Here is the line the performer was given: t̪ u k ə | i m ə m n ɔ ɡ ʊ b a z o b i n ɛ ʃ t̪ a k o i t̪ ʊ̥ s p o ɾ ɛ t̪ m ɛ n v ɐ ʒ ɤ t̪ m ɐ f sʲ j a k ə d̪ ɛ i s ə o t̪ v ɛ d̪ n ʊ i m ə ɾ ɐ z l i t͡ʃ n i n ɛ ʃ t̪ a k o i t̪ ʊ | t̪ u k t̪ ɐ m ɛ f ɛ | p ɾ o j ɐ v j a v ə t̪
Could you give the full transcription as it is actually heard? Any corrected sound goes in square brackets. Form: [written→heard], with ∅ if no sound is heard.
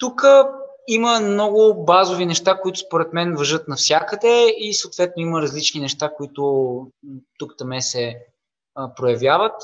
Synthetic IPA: t̪ u k ə | i m ə m n ɔ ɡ ʊ b a z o [b→v] i n ɛ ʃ t̪ a k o i t̪ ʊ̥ s p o ɾ ɛ t̪ m ɛ n v ɐ ʒ ɤ t̪ [m→n] ɐ f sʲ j a k ə d̪ ɛ i s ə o t̪ v ɛ [d̪→t̪] n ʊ i m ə ɾ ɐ z l i t͡ʃ n i n ɛ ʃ t̪ a k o i t̪ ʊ | t̪ u k t̪ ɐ m ɛ [f→s] ɛ | p ɾ o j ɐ v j a v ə t̪